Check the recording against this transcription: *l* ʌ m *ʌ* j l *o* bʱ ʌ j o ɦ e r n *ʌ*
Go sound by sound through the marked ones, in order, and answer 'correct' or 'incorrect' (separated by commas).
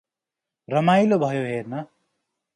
incorrect, incorrect, correct, correct